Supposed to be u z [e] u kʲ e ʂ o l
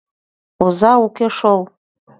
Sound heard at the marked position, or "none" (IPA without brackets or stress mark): a